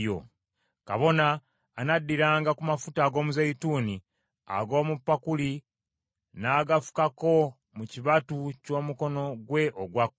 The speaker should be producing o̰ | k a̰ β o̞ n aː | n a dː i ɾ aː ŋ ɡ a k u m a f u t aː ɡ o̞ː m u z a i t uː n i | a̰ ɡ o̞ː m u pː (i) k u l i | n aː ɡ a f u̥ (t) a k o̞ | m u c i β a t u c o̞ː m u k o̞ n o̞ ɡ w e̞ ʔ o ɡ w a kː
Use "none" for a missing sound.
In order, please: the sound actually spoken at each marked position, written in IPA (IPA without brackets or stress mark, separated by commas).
a, k